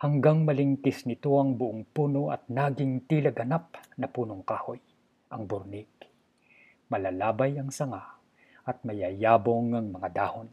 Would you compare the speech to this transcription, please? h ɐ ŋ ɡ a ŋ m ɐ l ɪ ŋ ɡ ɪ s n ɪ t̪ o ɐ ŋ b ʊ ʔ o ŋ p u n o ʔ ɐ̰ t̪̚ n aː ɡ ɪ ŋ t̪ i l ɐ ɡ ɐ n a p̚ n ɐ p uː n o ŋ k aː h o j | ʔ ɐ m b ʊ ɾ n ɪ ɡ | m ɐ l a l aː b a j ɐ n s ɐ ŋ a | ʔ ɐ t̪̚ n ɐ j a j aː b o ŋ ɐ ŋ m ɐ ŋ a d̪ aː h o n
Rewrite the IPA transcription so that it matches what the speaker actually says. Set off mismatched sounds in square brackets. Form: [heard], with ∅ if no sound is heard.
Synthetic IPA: h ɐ ŋ ɡ a ŋ m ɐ l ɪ ŋ [k] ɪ s n ɪ t̪ o ɐ ŋ b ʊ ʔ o ŋ p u n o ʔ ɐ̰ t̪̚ n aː ɡ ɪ ŋ t̪ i l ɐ ɡ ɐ n a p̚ n ɐ p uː n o ŋ k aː h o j | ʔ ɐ [ŋ] b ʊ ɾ n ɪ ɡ | m ɐ l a l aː b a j ɐ [ŋ] s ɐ ŋ a | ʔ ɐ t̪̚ [m] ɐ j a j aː b o ŋ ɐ ŋ m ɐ ŋ a d̪ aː h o n